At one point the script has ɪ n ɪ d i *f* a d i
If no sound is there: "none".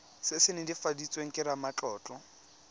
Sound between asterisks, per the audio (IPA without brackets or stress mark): f